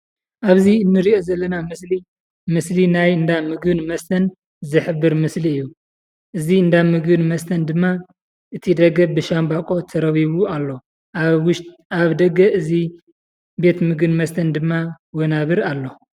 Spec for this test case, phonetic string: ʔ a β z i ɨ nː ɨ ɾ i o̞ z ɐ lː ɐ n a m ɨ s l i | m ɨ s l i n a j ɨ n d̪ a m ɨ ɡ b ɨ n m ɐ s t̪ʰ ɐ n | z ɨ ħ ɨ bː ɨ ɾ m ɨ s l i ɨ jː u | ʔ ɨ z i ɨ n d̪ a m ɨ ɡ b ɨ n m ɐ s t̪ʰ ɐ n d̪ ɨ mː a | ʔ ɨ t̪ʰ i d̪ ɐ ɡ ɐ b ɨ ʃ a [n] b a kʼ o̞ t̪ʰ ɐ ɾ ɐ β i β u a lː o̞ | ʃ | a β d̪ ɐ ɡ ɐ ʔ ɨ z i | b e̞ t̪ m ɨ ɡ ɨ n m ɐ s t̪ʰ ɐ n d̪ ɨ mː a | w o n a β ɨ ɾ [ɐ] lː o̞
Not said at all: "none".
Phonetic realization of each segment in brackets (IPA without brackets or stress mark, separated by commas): m, a